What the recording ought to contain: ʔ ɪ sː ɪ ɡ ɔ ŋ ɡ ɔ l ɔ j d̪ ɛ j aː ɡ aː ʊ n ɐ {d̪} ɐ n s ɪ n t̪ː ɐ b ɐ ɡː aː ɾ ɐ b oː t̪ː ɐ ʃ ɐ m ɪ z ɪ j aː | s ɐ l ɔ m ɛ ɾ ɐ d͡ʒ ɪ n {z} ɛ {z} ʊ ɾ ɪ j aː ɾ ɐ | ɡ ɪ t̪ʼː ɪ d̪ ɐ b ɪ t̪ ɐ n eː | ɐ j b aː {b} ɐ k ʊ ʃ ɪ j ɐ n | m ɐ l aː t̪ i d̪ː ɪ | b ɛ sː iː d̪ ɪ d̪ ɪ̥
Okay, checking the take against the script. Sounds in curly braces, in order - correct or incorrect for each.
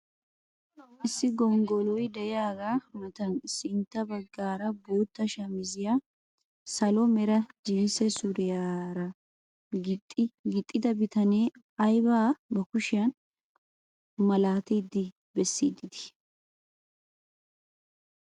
incorrect: t̪, incorrect: s, incorrect: s, correct

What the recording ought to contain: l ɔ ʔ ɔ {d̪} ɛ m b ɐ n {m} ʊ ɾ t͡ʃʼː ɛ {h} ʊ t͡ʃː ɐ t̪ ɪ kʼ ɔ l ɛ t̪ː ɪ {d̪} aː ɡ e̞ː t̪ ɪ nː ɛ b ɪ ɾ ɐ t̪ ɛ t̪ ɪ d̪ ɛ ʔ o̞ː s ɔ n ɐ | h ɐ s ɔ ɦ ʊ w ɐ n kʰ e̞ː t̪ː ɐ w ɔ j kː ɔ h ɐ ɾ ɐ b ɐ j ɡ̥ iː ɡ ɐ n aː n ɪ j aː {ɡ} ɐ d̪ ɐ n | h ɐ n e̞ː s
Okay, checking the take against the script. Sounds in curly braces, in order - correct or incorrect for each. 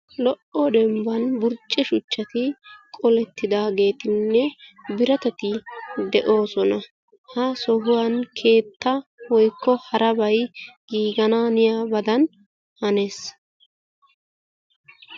correct, incorrect: b, incorrect: ʃ, correct, incorrect: b

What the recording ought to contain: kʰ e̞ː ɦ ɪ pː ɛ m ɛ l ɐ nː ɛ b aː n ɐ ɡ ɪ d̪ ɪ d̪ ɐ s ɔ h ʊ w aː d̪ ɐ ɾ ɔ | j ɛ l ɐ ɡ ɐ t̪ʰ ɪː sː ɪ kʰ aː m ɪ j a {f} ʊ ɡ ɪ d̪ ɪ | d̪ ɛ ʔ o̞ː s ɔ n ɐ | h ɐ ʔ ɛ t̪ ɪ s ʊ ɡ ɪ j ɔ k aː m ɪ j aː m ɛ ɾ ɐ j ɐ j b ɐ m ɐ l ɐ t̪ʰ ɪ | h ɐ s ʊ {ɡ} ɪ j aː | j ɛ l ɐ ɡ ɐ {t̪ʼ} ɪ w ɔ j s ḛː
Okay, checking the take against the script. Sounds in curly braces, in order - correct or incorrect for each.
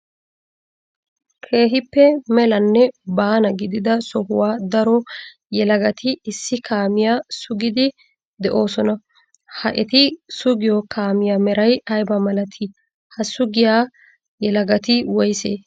incorrect: s, correct, incorrect: t̪

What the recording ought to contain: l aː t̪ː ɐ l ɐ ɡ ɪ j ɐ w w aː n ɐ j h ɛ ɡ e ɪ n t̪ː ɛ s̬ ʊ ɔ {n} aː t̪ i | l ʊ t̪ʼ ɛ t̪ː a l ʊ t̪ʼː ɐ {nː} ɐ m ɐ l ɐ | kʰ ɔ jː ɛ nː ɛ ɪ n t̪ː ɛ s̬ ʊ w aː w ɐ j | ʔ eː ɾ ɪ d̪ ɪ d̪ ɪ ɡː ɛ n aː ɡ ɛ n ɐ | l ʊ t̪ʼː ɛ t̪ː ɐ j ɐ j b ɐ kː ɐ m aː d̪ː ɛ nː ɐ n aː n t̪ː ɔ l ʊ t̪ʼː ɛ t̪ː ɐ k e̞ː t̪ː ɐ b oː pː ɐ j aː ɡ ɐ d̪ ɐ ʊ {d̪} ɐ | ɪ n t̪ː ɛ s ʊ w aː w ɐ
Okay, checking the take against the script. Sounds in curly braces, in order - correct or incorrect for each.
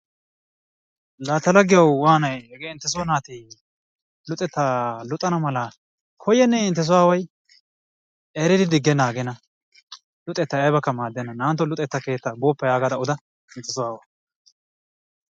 correct, incorrect: n, correct

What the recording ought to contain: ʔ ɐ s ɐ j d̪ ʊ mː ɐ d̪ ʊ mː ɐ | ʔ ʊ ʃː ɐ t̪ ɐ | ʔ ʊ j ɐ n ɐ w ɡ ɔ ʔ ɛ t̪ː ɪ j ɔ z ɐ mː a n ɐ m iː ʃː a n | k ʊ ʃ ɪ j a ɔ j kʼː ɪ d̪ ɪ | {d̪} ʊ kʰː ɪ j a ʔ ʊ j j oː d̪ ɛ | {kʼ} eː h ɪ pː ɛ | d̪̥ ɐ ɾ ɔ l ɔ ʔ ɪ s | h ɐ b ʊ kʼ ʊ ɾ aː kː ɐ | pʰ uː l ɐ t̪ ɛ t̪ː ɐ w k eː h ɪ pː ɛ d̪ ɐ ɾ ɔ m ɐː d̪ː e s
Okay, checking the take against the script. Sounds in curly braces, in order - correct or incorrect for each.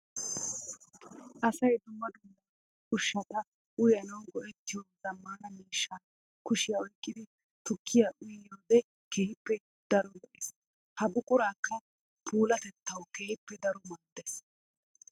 incorrect: t̪, incorrect: k

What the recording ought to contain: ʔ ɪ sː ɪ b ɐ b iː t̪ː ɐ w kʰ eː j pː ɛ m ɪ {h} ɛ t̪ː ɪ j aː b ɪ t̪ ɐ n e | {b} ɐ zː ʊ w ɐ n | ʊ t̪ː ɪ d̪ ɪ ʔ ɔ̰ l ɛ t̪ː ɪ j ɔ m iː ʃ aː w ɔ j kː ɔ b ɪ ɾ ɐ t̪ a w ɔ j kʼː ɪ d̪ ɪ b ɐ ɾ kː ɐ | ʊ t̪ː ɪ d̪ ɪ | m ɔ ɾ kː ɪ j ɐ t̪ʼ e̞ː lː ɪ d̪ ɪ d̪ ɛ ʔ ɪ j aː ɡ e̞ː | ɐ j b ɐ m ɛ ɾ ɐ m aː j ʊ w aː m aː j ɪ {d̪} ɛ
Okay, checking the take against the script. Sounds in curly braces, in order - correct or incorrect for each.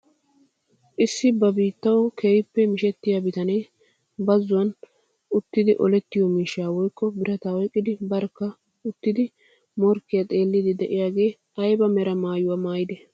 incorrect: ʃ, correct, correct

